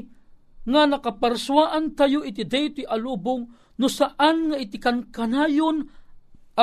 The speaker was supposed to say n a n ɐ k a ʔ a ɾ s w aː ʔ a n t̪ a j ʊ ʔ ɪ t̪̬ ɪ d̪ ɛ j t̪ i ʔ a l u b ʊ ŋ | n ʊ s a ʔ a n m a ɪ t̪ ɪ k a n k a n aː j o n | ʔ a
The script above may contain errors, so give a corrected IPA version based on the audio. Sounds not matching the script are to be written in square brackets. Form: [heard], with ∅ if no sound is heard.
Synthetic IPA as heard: [ŋ] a n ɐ k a [p] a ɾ s w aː ʔ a n t̪ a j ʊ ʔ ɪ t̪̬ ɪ d̪ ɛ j t̪ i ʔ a l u b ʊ ŋ | n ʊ s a ʔ a n [ŋ] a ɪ t̪ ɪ k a n k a n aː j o n | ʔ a